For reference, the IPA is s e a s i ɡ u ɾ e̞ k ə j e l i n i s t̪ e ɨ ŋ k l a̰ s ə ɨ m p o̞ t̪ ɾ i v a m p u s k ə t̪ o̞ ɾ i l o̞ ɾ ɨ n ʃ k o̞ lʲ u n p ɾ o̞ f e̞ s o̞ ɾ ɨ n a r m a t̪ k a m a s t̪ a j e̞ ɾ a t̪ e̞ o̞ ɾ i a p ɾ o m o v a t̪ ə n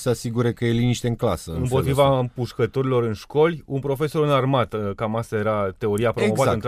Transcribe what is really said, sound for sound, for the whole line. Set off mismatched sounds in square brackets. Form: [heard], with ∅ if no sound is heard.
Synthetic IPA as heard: s e a s i ɡ u ɾ e̞ k ə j e l i n i [ʃ] t̪ e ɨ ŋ k l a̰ s ə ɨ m p o̞ t̪ ɾ i v a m p u [ʃ] k ə t̪ o̞ ɾ i l o̞ ɾ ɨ n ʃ k o̞ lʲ u n p ɾ o̞ f e̞ s o̞ ɾ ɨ n a r m a t̪ k a m a s t̪ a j e̞ ɾ a t̪ e̞ o̞ ɾ i a p ɾ o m o v a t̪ ə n